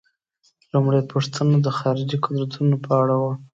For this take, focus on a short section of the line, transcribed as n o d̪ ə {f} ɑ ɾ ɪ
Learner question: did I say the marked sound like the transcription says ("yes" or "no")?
no